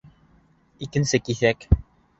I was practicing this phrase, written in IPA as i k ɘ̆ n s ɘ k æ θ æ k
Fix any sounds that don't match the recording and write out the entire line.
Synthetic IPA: i k ɘ̆ n s ɘ k i θ æ k